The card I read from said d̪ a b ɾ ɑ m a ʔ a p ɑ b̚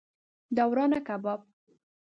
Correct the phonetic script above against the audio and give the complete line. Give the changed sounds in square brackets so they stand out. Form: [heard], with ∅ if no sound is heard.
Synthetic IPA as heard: d̪ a [w] ɾ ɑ [n] a [k] a [b] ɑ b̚